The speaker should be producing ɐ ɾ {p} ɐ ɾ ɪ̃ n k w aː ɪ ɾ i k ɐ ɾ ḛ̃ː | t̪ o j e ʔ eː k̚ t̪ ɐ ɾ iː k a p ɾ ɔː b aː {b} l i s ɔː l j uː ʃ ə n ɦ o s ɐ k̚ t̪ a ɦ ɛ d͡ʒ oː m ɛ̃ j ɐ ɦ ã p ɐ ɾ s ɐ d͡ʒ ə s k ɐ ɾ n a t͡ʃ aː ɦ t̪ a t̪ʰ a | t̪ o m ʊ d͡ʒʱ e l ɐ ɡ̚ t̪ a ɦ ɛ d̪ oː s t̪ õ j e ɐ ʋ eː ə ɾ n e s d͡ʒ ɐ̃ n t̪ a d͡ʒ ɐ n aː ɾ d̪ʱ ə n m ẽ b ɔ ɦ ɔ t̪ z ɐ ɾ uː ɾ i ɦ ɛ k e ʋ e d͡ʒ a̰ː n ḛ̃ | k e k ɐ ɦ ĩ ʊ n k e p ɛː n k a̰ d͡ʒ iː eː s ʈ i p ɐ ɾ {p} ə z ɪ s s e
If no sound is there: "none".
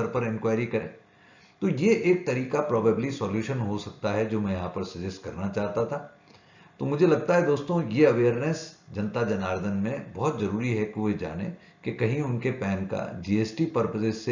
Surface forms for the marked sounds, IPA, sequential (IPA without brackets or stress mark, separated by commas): p, b, p